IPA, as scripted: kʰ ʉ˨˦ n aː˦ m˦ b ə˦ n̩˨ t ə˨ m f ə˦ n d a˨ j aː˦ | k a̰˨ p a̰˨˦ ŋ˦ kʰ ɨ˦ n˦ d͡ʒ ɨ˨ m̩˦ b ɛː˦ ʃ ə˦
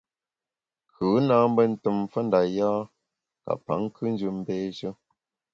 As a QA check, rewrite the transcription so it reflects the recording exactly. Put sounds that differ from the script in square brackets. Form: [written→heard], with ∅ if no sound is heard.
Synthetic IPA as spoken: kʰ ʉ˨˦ n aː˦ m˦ b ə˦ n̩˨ t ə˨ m f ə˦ n d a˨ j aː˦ | k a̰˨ p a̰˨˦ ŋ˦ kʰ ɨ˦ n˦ d͡ʒ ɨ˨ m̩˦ b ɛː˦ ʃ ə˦